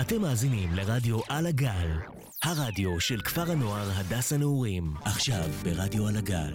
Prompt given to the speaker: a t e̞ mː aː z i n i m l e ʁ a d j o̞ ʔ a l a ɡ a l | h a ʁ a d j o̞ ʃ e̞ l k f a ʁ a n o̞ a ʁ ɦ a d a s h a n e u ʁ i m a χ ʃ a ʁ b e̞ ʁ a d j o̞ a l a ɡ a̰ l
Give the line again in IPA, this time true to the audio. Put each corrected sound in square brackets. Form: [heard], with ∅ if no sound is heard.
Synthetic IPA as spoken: a t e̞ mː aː z i n i m l e ʁ a d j o̞ ʔ a l a ɡ a l | h a ʁ a d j o̞ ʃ e̞ l k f a ʁ a n o̞ a ʁ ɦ a d a s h a n e u ʁ i m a χ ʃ a [v] b e̞ ʁ a d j o̞ a l a ɡ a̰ l